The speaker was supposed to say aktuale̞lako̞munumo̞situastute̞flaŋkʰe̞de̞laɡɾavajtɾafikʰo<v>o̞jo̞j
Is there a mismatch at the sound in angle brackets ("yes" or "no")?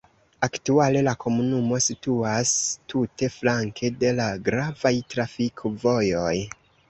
no